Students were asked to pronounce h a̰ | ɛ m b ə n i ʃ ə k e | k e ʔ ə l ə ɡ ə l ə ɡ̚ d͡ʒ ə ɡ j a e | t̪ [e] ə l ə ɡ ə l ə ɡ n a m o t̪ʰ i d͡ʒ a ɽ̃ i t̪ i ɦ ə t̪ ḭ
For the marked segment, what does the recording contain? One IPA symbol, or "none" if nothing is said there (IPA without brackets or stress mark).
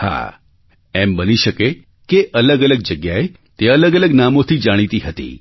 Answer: e